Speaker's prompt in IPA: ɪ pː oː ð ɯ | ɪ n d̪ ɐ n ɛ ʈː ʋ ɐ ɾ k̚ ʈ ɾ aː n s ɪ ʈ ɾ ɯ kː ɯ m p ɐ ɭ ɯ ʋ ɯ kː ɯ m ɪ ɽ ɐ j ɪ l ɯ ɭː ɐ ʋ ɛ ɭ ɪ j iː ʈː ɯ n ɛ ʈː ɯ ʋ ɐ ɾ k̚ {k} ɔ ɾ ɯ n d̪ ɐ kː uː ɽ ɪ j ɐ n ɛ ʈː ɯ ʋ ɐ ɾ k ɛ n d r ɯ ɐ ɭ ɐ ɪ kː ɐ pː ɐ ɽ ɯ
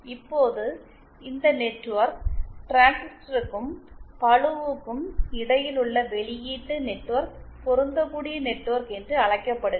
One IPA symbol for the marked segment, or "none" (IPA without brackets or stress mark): p